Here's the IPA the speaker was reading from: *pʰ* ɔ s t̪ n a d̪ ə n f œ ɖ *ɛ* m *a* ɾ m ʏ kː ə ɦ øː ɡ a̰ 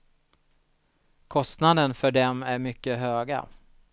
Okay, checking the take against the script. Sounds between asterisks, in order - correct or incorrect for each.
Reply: incorrect: kʰ, correct, incorrect: æ

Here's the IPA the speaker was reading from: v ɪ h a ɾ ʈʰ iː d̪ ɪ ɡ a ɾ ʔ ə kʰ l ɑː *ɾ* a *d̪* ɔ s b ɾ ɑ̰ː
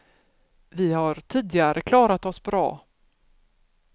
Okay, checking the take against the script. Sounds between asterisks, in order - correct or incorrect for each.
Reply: correct, incorrect: t̪

